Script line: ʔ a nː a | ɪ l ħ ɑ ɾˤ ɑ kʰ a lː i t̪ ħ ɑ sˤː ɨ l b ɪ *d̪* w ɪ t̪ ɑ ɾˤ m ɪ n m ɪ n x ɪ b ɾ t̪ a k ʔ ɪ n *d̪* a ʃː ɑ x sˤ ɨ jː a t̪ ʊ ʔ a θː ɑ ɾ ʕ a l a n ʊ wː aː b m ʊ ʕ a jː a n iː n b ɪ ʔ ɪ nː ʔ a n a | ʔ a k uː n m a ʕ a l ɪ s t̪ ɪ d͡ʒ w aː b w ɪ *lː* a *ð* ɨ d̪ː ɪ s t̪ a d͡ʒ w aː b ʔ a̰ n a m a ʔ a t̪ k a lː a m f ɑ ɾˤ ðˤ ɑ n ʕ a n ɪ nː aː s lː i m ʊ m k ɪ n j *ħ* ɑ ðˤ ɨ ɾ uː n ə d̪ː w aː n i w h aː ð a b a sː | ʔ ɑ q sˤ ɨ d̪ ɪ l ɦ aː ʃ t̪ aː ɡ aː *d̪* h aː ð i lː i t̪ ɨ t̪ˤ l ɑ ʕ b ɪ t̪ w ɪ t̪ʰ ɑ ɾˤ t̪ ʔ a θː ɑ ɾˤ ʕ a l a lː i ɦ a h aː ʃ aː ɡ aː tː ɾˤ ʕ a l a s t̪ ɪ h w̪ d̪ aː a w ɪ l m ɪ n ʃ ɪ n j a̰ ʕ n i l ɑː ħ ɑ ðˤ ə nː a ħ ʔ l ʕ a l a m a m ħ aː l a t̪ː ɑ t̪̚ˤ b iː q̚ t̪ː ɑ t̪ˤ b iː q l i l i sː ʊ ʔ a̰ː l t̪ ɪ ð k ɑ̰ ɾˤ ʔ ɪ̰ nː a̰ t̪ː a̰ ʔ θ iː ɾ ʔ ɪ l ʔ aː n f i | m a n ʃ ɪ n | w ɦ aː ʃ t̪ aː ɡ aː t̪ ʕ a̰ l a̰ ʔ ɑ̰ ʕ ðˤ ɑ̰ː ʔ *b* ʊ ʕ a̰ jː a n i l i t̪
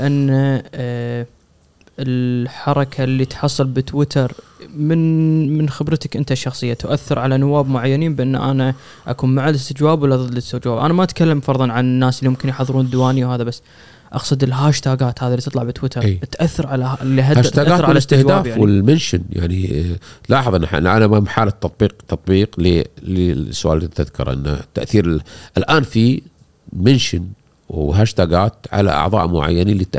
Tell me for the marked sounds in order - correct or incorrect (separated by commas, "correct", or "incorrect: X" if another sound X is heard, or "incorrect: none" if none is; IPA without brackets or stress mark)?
incorrect: t̪, incorrect: t̪, correct, correct, correct, incorrect: t̪, incorrect: m